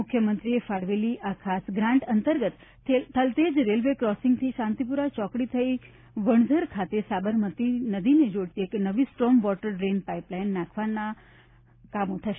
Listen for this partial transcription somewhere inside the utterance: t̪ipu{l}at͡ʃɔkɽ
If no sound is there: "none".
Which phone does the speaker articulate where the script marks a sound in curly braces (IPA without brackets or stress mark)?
ɾ